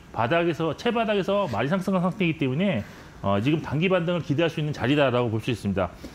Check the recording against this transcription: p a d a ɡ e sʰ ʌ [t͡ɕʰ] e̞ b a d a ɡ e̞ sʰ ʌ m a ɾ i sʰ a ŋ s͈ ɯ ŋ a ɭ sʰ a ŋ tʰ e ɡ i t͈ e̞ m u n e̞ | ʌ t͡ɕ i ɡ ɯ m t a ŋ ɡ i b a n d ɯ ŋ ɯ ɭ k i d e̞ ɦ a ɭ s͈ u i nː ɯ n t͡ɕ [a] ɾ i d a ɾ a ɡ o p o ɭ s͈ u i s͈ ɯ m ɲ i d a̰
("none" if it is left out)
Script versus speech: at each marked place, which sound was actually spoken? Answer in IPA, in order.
t͡ɕʰ, a

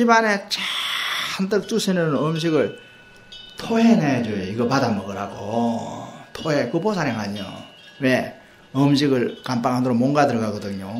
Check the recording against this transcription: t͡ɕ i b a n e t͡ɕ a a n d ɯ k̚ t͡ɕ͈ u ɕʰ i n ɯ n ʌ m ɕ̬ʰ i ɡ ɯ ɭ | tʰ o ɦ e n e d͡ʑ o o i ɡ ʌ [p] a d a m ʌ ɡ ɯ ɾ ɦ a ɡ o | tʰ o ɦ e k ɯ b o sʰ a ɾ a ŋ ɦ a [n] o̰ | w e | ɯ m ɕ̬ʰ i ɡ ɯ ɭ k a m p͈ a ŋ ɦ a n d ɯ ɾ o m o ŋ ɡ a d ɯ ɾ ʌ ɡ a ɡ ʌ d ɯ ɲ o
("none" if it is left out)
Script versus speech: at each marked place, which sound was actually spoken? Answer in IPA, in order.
p, ɲ

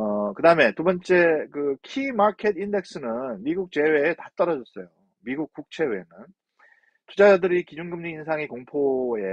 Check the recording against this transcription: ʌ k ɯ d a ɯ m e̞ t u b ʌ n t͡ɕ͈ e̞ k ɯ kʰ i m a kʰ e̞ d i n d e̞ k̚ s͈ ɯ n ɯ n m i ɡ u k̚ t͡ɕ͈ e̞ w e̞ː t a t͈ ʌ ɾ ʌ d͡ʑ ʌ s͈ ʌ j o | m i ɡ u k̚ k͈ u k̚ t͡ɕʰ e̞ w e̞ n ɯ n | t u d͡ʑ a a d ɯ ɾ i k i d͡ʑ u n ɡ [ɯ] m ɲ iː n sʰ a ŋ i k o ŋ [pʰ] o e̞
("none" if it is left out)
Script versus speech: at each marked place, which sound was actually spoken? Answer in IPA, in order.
ɯ, pʰ

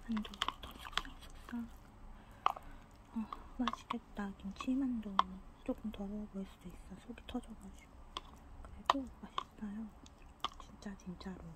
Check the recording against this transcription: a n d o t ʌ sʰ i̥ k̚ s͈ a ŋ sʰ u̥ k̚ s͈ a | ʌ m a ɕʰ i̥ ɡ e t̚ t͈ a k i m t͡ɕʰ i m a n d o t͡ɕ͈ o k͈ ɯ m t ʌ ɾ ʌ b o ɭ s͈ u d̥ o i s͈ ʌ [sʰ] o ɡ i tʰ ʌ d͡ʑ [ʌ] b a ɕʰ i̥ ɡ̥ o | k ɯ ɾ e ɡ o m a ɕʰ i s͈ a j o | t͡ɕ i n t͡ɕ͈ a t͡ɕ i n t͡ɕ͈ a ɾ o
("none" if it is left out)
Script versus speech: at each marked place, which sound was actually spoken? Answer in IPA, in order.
sʰ, ʌ

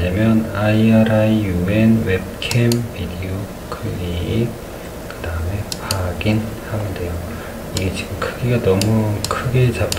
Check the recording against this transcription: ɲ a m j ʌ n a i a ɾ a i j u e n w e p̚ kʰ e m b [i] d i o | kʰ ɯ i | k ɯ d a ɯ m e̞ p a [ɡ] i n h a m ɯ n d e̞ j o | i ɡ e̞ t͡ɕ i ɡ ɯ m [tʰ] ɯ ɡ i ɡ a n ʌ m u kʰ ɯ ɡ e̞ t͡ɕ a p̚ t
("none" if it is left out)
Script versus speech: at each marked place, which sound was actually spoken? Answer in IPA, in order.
i, ɡ, kʰ

